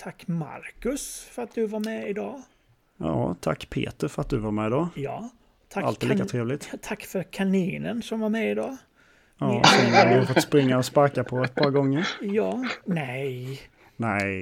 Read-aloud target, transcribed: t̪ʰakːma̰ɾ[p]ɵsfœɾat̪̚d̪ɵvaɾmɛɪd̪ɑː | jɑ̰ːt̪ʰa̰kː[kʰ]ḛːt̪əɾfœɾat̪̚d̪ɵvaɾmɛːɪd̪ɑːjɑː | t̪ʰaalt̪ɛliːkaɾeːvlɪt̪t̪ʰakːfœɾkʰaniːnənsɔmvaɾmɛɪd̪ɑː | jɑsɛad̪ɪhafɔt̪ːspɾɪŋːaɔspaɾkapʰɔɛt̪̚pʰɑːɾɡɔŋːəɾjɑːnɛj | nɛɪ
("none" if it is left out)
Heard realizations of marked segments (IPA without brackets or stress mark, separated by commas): k, pʰ